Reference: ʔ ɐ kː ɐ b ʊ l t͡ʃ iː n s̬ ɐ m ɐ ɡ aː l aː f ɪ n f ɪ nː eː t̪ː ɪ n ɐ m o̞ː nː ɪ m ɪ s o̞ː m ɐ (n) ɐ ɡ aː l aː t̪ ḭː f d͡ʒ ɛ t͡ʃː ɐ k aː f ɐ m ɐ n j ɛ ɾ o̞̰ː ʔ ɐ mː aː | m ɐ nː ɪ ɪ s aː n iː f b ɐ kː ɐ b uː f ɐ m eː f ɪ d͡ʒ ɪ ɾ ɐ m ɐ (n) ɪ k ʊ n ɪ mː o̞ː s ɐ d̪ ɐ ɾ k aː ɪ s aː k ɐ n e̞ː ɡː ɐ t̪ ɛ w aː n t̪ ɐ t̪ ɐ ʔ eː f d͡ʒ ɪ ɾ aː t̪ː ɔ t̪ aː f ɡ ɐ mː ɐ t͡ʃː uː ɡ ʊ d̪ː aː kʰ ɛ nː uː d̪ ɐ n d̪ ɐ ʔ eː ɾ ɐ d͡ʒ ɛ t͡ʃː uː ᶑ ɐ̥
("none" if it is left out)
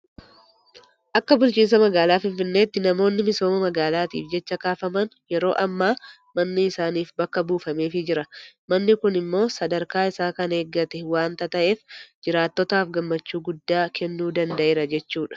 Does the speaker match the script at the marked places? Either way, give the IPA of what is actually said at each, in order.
m, nː

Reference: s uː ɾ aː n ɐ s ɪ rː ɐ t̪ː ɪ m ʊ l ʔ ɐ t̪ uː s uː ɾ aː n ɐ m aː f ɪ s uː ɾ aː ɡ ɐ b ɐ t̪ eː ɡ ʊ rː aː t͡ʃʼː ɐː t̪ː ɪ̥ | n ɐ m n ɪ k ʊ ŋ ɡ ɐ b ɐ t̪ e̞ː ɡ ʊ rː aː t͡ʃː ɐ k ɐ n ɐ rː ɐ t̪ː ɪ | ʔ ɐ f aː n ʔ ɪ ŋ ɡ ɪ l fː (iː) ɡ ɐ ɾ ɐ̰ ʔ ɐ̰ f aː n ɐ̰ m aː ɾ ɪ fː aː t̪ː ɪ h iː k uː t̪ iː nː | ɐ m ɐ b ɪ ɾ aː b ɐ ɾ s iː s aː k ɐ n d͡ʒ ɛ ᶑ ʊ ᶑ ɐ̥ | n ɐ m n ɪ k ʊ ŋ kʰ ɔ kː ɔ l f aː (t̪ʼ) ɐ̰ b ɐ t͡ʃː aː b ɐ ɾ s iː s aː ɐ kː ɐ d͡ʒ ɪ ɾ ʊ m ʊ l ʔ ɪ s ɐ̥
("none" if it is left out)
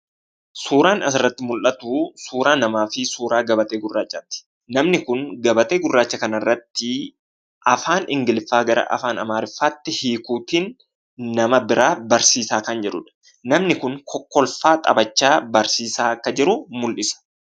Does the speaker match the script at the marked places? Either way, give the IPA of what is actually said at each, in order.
aː, t̪ʼ

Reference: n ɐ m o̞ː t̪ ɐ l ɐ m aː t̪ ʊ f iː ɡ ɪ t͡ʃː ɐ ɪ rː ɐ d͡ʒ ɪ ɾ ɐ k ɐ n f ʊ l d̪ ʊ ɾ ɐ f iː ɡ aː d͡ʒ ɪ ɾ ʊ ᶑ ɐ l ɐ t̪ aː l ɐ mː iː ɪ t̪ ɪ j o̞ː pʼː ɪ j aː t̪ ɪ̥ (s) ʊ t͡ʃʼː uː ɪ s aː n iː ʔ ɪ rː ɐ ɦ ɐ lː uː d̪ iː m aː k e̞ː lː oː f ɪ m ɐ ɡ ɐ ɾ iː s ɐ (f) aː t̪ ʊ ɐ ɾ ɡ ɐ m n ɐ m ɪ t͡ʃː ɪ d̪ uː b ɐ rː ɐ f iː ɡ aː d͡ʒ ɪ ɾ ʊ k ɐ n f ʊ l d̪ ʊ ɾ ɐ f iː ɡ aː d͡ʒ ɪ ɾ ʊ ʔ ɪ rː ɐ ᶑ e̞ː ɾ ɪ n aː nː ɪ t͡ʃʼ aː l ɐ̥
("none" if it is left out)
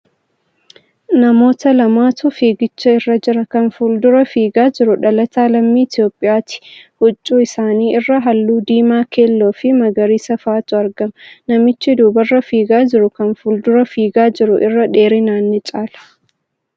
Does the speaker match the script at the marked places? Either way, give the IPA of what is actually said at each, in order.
h, f

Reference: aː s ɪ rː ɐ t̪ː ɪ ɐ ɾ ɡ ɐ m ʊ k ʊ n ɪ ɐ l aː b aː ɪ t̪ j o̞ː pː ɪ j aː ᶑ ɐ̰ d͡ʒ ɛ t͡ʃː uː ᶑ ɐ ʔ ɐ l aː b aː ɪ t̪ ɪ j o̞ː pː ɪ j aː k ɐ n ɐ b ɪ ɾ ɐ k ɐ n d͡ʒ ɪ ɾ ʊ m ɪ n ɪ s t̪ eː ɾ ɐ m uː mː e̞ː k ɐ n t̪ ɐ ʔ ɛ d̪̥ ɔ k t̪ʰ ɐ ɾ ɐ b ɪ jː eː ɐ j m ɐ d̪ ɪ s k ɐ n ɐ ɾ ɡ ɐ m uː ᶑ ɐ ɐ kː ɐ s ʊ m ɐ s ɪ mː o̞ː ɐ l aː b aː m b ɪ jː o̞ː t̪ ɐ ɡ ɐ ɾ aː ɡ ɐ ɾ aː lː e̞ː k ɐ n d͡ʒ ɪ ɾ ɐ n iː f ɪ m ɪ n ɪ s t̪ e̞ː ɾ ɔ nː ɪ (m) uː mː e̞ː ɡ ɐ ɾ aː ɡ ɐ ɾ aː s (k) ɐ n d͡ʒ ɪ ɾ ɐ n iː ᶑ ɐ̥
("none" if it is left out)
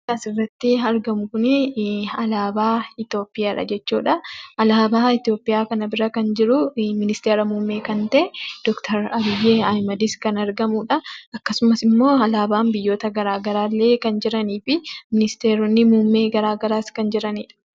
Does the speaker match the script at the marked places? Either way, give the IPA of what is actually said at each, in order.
m, k

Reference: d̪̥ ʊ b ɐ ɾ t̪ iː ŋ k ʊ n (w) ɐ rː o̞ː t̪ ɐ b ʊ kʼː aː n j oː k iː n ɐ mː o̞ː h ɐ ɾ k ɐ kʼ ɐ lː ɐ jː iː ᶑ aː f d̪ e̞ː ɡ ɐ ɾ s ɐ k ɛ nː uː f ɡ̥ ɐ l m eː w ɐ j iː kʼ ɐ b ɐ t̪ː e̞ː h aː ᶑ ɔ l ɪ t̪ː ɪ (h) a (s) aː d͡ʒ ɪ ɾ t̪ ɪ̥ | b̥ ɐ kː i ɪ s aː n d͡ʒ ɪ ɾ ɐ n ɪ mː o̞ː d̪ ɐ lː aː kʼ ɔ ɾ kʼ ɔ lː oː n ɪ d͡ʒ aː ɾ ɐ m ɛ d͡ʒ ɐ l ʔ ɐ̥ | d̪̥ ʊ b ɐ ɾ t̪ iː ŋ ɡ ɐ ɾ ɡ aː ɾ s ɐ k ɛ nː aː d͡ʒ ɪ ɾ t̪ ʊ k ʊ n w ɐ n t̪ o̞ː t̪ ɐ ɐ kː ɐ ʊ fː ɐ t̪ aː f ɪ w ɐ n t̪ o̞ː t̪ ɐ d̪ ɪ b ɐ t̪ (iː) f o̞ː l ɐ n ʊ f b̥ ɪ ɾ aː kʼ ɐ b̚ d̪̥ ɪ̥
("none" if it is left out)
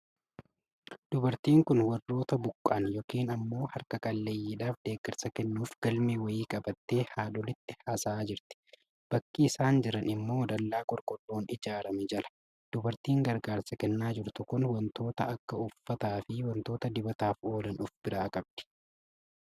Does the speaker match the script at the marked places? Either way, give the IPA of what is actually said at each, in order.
w, h, s, aː

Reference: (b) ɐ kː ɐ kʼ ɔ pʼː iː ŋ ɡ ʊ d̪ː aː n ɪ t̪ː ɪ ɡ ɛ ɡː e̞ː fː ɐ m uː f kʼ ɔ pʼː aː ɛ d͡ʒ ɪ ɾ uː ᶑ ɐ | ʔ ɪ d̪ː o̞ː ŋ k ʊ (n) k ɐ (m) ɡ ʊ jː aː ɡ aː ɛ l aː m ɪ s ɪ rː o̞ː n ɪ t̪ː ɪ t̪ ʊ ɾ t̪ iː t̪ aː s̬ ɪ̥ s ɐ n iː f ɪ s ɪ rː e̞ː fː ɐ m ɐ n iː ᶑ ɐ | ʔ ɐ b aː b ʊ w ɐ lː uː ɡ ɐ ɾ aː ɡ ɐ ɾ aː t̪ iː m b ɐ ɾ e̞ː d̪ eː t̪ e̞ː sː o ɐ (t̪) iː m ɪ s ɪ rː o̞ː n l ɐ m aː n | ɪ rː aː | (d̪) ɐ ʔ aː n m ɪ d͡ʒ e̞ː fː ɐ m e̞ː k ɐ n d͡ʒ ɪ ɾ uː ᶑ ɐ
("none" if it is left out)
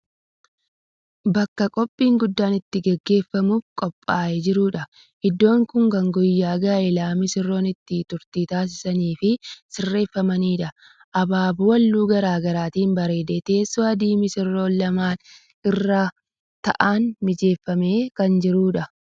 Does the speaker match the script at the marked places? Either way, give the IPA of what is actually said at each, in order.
b, ŋ, ŋ, d̪, t̪

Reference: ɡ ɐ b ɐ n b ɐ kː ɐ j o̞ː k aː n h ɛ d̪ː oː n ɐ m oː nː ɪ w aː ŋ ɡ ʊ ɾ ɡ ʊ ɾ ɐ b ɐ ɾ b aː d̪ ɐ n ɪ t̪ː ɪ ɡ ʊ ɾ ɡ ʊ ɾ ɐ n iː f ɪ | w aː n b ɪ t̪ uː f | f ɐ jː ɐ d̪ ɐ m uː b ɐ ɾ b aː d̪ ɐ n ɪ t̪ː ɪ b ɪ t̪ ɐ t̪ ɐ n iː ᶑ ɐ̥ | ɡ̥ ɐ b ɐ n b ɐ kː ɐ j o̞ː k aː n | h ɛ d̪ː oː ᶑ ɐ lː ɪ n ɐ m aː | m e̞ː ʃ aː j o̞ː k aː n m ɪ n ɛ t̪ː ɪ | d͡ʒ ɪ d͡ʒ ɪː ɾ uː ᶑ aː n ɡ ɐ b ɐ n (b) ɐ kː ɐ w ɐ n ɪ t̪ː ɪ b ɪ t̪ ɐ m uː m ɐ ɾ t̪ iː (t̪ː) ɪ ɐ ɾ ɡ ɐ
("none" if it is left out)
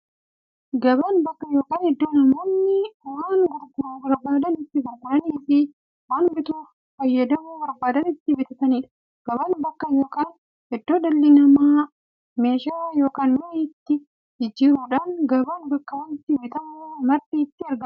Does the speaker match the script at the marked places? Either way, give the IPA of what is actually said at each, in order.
b, t̪ː

